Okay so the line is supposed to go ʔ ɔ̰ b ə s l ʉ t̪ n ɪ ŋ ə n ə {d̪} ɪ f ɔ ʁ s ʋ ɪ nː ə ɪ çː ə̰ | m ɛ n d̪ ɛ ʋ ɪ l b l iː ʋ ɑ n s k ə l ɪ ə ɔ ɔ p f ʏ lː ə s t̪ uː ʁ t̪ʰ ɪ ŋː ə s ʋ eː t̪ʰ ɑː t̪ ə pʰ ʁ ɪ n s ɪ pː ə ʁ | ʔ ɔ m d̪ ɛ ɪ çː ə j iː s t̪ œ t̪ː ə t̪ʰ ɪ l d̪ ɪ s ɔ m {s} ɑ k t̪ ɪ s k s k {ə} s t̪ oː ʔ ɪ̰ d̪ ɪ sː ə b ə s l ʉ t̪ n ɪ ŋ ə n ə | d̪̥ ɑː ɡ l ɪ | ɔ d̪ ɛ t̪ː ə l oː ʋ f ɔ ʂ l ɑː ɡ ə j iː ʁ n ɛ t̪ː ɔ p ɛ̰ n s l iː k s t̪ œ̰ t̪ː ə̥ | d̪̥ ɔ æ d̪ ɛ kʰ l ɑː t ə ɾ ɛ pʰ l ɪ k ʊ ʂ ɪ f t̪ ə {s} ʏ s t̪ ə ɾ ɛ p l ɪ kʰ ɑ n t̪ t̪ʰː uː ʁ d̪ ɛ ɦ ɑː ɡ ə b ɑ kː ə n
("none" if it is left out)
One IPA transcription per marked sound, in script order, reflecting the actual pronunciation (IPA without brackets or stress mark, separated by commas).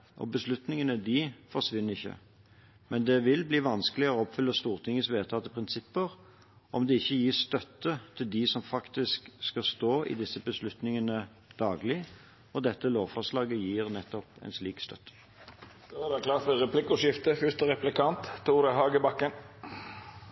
d̪, f, ɑ, f